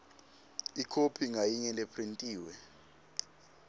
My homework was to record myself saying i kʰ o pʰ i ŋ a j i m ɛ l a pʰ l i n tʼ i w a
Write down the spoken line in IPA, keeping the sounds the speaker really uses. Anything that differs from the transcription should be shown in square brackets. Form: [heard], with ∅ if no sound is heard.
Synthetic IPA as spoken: i kʰ o pʰ i ŋ a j i [ɲ] ɛ l [e] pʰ [r] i n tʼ [iː] w [ɛ]